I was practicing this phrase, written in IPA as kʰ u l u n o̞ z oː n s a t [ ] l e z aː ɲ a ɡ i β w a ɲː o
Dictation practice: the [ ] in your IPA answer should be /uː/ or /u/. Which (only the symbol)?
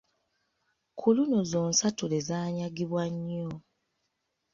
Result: u